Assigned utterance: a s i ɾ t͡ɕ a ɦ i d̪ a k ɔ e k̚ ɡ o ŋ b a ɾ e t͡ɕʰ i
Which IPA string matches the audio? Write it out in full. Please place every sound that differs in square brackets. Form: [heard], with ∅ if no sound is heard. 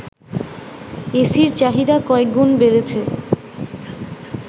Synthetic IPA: [e] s i ɾ t͡ɕ a ɦ i d̪ a k ɔ e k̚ ɡ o [n] b [e] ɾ e t͡ɕʰ [e]